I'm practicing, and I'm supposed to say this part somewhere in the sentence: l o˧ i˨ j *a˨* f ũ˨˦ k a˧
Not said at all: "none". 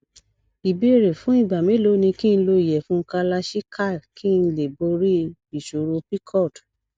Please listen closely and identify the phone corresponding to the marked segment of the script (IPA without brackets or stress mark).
ɛ˨